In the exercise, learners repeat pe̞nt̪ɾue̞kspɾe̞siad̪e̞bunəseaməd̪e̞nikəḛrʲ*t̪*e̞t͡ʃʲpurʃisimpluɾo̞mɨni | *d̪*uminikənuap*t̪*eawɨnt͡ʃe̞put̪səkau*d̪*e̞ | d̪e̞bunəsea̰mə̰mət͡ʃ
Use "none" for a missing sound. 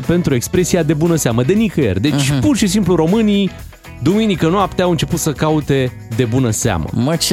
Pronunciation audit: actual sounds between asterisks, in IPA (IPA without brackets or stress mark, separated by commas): d̪, d̪, t̪, t̪